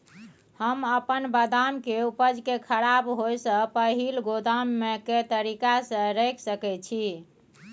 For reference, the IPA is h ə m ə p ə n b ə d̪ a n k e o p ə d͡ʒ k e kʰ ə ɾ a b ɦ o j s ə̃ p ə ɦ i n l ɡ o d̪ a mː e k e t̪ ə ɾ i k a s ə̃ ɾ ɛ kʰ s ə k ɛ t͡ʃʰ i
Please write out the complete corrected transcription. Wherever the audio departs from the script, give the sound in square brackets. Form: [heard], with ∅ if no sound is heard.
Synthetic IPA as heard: h ə m ə p ə n b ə d̪ a [m] k e [u] p ə d͡ʒ k e kʰ ə ɾ a b ɦ o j s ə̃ p ə ɦ i [∅] l ɡ o d̪ a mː e k e t̪ ə ɾ i k a s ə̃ ɾ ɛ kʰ s ə k ɛ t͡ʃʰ i